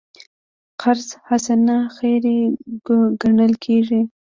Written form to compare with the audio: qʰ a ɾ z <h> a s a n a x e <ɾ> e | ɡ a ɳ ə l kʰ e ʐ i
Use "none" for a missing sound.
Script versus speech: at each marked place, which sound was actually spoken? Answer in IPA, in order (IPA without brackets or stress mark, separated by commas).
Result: h, ɾ